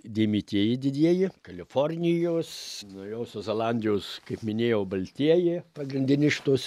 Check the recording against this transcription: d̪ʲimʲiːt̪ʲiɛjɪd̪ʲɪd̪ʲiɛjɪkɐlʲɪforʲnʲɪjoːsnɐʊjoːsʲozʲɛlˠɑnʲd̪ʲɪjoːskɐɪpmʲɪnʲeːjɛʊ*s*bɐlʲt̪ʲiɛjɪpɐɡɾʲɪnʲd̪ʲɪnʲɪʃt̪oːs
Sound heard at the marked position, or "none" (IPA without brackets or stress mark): none